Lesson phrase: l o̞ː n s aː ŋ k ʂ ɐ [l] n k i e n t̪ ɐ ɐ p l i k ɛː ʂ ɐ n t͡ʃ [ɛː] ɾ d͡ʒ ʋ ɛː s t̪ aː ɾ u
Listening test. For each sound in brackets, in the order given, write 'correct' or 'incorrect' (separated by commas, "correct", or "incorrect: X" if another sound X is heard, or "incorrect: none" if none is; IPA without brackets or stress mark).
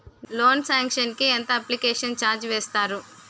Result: incorrect: none, incorrect: aː